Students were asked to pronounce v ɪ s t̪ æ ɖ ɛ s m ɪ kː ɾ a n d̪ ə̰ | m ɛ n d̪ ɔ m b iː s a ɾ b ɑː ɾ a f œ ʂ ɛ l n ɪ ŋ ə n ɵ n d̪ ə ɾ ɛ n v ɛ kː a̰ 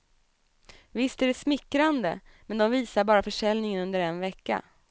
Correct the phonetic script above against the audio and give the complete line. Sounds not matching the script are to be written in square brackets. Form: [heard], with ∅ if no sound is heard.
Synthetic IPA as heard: v ɪ s t̪ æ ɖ ɛ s m ɪ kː ɾ a n d̪ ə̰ | m ɛ n d̪ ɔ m [v] iː s a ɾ b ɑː ɾ a f œ ʂ ɛ l n ɪ ŋ ə n ɵ n d̪ ə ɾ ɛ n v ɛ kː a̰